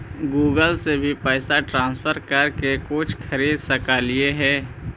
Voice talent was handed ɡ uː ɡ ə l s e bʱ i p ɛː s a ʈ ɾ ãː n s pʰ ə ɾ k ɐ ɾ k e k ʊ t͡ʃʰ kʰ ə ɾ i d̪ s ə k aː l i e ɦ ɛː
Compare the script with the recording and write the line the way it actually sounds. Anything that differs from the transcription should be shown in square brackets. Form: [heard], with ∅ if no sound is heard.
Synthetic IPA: ɡ uː ɡ ə l s e bʱ i p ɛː s a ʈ ɾ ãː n s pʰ ə ɾ k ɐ ɾ k e k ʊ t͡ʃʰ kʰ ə ɾ [iː] d̪ s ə k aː l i e ɦ ɛː